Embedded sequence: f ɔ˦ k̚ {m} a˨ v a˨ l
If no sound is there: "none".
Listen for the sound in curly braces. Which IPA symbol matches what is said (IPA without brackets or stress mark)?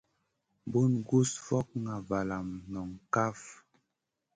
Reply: ŋ